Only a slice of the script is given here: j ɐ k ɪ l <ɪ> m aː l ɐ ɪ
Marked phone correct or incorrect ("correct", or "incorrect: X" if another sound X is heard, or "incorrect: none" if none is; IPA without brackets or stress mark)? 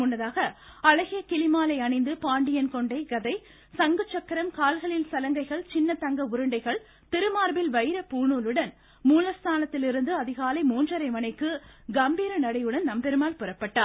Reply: correct